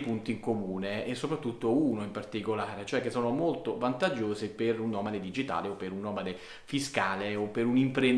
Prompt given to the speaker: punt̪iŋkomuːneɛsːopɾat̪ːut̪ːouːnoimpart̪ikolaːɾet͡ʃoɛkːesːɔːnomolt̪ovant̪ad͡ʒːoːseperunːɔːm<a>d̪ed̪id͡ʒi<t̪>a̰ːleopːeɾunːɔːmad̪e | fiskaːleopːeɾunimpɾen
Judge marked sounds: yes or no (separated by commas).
yes, yes